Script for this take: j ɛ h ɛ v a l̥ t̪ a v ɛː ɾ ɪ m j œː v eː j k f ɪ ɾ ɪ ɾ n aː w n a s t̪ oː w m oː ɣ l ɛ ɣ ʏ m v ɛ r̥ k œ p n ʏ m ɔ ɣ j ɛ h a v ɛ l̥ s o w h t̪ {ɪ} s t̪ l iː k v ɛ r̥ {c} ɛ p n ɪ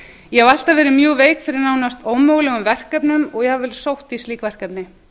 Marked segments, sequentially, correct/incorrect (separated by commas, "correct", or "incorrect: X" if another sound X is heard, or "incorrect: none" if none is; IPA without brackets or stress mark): incorrect: i, incorrect: k